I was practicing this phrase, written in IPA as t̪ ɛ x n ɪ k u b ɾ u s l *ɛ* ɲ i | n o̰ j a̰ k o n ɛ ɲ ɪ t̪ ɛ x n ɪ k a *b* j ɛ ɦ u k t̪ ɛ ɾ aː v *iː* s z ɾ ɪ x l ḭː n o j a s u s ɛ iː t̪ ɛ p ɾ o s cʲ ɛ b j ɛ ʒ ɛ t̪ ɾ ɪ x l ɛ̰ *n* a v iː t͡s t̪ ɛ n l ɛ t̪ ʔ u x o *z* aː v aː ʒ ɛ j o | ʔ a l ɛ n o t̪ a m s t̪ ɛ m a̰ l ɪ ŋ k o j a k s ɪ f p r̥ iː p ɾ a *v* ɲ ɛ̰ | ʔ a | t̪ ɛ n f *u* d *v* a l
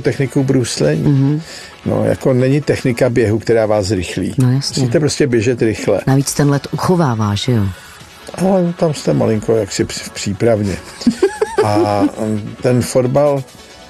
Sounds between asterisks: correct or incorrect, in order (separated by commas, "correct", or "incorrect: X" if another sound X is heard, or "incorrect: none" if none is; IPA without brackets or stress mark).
correct, correct, incorrect: aː, correct, incorrect: v, correct, incorrect: o, incorrect: b